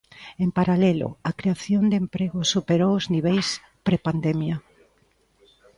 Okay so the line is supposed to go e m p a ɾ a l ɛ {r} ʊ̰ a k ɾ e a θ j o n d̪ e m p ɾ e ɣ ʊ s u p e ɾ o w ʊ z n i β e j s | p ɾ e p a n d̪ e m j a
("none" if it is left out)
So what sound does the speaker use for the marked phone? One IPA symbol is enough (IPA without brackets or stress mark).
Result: l